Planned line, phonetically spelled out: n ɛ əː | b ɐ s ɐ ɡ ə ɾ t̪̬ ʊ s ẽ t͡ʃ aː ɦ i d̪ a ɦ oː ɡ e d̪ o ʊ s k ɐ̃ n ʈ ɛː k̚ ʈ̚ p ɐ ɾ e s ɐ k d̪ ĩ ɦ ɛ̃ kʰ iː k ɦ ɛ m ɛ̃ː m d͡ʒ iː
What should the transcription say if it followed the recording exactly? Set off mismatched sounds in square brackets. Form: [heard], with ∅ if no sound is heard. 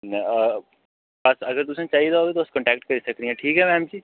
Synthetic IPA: n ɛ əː | b ɐ s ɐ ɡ ə ɾ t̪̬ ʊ s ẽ t͡ʃ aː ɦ i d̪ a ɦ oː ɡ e [t̪] o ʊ s k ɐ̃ [ɳ] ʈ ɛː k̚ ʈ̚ [k] ɐ ɾ [i] s ɐ k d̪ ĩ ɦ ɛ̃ [ʈʰ] iː k ɦ ɛ m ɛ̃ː m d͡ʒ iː